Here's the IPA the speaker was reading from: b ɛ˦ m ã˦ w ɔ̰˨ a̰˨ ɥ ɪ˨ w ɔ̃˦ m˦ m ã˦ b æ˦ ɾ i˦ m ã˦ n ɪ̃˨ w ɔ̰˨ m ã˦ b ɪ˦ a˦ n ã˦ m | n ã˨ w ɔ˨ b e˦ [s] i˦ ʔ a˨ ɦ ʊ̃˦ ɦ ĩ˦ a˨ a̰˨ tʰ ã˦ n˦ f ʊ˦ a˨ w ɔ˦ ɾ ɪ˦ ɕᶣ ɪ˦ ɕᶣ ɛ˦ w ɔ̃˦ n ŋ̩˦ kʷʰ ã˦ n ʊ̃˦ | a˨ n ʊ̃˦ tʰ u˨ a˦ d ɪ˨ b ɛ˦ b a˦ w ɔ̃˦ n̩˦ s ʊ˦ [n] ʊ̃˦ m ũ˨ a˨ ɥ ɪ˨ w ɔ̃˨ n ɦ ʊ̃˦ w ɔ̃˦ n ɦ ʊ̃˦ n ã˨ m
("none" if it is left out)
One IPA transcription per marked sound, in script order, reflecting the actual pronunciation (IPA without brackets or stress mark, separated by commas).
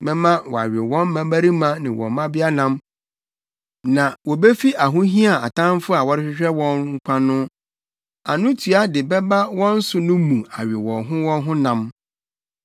f, n